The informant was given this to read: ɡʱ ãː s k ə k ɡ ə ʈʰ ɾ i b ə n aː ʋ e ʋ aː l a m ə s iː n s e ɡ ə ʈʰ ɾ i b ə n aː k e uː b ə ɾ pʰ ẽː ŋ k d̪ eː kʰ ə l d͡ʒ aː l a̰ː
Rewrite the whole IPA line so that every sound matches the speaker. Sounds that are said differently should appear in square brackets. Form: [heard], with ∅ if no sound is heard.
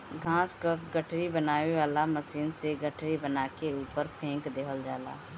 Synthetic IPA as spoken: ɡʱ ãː s k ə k ɡ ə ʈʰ ɾ i b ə n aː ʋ e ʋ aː l a m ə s iː n s e ɡ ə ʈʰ ɾ i b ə n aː k e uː [p] ə ɾ pʰ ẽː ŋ k d̪ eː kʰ ə l d͡ʒ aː l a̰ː

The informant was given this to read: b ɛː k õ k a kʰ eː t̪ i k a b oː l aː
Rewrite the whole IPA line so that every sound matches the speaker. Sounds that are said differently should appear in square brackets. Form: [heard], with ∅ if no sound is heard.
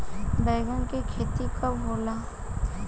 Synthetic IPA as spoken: b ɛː [ɡ] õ k [i] kʰ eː t̪ i k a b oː l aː

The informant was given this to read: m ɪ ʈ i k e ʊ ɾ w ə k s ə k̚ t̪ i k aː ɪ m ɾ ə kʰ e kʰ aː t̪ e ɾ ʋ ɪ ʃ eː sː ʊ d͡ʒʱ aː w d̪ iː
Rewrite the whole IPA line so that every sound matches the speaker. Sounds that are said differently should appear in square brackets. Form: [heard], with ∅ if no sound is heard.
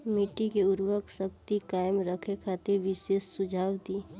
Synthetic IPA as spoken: m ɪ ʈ i k e ʊ ɾ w ə k s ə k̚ t̪ i k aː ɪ m ɾ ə kʰ e kʰ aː t̪ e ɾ ʋ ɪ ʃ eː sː ʊ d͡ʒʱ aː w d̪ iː

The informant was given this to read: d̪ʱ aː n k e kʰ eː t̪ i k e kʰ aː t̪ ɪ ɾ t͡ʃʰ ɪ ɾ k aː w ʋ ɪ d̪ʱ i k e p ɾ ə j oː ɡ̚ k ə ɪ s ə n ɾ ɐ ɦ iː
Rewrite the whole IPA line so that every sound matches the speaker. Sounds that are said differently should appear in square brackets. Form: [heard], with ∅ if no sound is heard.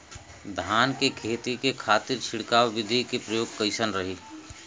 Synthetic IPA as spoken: d̪ʱ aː n k e kʰ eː t̪ i k e kʰ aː t̪ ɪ ɾ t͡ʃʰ ɪ [ɽ] k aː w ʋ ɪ d̪ʱ i k e p ɾ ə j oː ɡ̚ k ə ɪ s ə n ɾ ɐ ɦ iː

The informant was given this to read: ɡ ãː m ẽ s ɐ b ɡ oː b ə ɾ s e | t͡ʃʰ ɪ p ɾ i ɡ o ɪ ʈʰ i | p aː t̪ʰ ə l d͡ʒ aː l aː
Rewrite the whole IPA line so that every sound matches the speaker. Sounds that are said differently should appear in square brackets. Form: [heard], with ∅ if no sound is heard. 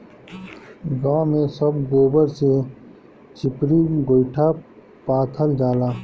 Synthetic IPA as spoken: ɡ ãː m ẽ s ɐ b ɡ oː b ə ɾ s e | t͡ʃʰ ɪ p ɾ i ɡ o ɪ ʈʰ [a] | p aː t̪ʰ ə l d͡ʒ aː l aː

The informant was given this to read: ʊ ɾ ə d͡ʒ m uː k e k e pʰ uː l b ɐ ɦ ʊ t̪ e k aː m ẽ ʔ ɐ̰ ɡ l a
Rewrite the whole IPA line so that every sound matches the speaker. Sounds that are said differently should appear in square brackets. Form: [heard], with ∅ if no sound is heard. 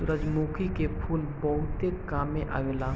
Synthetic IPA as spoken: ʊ ɾ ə d͡ʒ m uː k [i] k e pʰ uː l b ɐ ɦ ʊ t̪ e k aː m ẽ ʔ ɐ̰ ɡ l a

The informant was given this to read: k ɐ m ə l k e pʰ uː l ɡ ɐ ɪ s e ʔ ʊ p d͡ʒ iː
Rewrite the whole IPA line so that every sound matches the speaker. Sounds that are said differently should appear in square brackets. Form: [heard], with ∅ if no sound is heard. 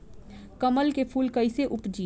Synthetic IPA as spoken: k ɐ m ə l k e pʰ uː l [k] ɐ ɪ s e ʔ ʊ p d͡ʒ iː

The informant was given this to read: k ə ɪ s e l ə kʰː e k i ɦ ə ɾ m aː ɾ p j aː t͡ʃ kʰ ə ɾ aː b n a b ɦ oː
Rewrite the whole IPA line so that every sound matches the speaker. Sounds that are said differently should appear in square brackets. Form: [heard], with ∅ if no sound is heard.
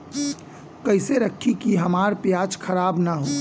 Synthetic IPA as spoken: k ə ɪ s e [ɾ] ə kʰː [i] k i ɦ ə [∅] m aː ɾ p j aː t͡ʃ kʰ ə ɾ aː b n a [∅] ɦ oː

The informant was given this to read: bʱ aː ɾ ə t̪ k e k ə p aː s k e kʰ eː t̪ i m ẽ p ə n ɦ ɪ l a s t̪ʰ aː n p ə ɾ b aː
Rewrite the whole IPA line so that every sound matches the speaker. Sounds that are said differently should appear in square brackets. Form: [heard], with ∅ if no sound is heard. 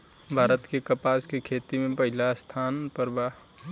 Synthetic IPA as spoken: bʱ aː ɾ ə t̪ k e k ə p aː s k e kʰ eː t̪ i m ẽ p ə [∅] ɦ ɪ l a s t̪ʰ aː n p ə ɾ b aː

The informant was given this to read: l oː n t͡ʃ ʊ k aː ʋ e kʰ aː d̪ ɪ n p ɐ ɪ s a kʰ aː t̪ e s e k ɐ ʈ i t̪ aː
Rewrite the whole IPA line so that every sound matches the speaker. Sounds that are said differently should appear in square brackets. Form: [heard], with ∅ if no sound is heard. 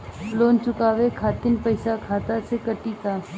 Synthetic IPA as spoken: l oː n t͡ʃ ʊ k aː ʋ e kʰ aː [t̪] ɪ n p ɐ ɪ s a kʰ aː t̪ [a] s e k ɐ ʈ i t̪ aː

